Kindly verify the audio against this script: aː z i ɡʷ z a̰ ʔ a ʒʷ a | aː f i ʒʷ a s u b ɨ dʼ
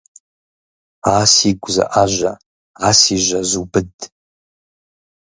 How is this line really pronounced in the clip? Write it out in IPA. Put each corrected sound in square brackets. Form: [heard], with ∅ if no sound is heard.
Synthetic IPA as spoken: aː [s] i ɡʷ z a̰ ʔ a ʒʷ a | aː [s] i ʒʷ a [z] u b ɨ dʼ